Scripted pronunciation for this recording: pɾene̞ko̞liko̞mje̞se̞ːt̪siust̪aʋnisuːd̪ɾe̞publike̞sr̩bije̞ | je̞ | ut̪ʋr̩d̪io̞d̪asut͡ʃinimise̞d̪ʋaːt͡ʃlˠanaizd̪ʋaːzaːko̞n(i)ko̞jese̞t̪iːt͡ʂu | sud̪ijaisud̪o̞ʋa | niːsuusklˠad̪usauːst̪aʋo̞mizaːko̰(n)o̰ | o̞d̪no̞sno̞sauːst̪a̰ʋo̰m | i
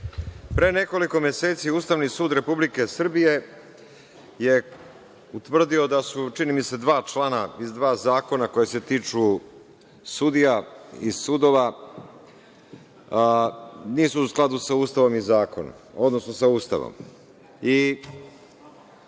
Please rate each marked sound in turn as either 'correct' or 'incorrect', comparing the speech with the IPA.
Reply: incorrect: a, correct

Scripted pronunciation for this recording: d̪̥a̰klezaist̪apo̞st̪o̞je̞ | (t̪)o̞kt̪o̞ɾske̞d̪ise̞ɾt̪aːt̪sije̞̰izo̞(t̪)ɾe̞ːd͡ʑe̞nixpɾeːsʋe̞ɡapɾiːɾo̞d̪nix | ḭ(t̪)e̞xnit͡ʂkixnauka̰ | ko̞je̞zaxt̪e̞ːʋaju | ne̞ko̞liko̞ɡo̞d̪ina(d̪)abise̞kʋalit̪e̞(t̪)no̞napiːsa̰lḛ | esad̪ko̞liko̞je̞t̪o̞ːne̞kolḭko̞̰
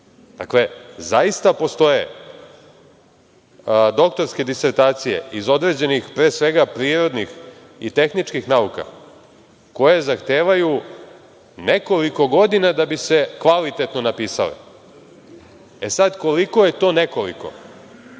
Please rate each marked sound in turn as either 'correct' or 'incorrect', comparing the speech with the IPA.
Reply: incorrect: d̪, incorrect: d̪, correct, correct, correct

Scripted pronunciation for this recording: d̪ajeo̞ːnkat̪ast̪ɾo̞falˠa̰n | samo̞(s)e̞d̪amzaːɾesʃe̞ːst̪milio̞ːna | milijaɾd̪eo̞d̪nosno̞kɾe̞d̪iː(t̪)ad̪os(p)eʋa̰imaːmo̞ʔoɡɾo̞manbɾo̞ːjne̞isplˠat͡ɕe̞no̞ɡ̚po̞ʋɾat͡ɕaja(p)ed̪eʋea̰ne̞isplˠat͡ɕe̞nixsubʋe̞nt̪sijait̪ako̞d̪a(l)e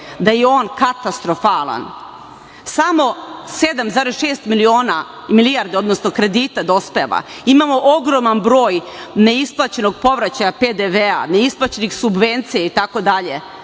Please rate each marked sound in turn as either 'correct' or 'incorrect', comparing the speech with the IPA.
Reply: correct, correct, correct, correct, incorrect: ʎ

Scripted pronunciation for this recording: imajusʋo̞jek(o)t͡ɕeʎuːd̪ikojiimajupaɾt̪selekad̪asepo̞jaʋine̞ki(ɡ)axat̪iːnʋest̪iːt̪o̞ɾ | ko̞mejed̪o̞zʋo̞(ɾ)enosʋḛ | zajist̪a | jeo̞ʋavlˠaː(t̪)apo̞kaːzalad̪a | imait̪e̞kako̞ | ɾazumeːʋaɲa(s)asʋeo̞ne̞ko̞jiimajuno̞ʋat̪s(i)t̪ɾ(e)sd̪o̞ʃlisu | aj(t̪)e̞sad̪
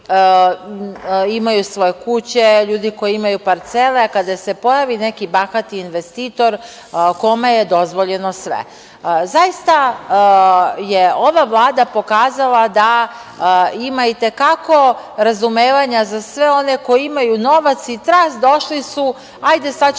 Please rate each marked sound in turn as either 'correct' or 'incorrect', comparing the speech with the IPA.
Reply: incorrect: u, incorrect: b, incorrect: ʎ, incorrect: d̪, incorrect: z, correct, incorrect: a, incorrect: d̪

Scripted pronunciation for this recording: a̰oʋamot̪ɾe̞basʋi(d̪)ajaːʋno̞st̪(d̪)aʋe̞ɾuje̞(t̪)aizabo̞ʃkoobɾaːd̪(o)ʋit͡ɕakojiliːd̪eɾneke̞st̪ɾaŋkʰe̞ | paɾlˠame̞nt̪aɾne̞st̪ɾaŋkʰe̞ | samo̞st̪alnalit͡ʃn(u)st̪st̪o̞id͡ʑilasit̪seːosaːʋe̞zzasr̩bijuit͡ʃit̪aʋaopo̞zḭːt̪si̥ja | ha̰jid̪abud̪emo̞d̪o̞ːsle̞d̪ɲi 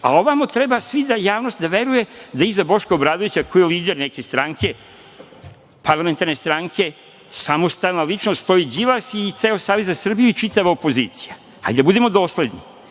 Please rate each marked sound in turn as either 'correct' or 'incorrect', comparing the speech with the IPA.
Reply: correct, correct, incorrect: d̪, correct, incorrect: o

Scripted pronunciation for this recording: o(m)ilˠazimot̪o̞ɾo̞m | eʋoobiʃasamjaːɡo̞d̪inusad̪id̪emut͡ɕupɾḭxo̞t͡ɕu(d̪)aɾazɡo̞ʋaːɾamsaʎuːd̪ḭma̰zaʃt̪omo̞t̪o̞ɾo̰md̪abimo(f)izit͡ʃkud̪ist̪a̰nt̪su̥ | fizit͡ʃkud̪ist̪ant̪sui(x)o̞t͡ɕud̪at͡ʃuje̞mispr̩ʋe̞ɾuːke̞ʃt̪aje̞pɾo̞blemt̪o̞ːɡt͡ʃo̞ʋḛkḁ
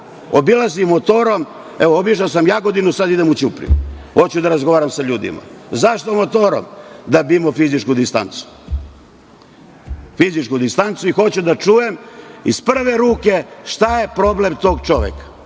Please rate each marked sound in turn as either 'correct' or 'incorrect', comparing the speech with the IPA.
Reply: incorrect: b, correct, correct, correct

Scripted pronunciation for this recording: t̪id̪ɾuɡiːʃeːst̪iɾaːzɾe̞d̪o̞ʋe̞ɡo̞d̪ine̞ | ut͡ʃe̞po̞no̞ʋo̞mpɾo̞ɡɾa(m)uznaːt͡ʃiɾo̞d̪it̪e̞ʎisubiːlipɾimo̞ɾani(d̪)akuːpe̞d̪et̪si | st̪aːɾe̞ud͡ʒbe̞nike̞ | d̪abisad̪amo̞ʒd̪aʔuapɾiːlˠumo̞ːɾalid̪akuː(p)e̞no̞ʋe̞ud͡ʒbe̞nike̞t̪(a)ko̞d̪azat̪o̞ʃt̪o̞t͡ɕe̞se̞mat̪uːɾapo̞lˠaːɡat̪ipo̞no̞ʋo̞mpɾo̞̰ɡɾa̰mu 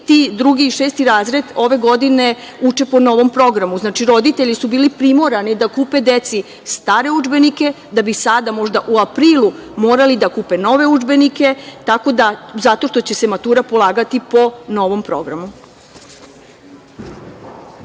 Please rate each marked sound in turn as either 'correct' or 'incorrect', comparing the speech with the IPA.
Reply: correct, correct, correct, correct

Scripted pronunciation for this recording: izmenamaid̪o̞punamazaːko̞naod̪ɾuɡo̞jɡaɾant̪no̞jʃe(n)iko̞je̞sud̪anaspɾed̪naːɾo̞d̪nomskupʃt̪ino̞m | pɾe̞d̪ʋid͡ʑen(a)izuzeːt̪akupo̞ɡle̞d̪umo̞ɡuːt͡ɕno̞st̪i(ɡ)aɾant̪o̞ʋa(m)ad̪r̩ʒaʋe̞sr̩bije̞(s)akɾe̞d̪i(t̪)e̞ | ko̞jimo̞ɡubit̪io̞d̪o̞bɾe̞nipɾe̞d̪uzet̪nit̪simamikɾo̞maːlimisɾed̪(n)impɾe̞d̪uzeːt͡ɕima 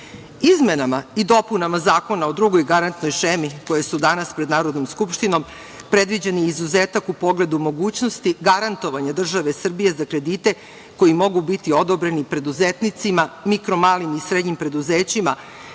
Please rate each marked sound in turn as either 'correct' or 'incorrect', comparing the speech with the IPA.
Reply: incorrect: m, incorrect: i, correct, incorrect: ɲ, incorrect: z, correct, incorrect: ɲ

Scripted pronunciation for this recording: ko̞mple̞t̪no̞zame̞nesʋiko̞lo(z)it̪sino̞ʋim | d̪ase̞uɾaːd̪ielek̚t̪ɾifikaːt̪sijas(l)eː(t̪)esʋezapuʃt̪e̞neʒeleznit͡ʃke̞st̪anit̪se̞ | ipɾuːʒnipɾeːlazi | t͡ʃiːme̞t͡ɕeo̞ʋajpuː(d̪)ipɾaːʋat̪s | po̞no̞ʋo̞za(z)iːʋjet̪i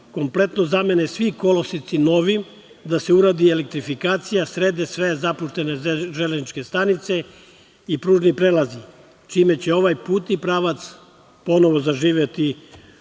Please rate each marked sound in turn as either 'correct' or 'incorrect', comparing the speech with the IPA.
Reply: incorrect: s, incorrect: ɾ, incorrect: d̪, incorrect: t̪, incorrect: ʒ

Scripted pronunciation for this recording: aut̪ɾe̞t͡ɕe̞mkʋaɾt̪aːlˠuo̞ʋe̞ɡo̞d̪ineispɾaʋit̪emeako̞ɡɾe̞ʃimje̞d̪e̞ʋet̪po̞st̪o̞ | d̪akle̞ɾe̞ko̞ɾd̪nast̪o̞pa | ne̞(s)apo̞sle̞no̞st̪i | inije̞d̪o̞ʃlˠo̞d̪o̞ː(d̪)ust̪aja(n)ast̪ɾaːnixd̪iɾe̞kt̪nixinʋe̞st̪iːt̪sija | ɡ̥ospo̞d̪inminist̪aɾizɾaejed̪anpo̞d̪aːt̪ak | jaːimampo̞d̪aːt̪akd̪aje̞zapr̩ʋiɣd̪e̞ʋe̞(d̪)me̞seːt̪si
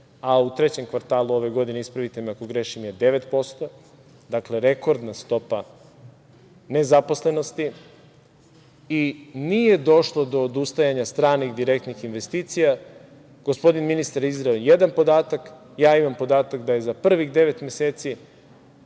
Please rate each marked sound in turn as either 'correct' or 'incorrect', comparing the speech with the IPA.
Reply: incorrect: z, correct, incorrect: ɲ, incorrect: t̪

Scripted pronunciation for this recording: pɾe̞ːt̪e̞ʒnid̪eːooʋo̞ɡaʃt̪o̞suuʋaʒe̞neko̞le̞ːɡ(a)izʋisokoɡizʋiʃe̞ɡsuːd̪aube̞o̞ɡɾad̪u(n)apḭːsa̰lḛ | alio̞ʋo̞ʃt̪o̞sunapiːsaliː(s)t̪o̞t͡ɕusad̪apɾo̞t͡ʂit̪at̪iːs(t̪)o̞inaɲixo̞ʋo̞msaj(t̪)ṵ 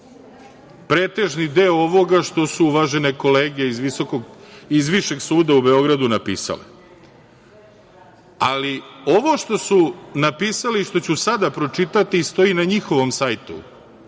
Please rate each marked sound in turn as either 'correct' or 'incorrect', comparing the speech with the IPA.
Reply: incorrect: e, correct, incorrect: ʃ, correct, correct

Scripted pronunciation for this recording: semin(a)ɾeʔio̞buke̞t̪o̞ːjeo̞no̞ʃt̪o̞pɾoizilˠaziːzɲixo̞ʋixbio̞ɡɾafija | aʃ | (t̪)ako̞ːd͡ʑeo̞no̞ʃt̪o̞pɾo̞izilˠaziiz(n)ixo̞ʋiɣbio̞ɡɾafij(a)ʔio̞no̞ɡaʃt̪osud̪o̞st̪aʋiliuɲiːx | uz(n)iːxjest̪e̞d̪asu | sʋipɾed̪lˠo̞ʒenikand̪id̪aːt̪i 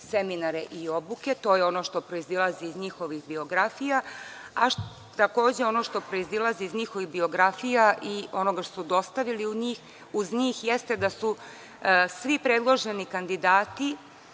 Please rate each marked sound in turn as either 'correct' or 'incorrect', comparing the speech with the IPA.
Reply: correct, correct, incorrect: ɲ, correct, incorrect: ɲ

